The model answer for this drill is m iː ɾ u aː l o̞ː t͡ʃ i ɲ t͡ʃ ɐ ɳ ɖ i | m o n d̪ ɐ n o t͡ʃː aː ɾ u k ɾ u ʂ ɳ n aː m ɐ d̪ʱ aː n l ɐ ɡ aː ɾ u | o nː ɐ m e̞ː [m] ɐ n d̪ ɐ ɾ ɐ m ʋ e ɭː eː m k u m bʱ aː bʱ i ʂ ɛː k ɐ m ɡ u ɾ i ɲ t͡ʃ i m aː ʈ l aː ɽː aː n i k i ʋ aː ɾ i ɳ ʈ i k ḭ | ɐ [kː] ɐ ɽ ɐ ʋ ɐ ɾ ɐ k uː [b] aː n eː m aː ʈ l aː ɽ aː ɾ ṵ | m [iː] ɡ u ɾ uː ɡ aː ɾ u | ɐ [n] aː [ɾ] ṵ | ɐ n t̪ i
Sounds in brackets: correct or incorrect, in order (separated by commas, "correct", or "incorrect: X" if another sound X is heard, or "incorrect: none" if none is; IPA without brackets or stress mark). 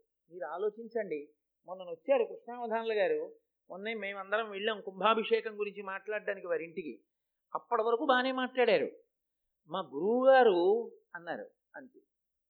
correct, incorrect: pː, correct, incorrect: aː, incorrect: nː, correct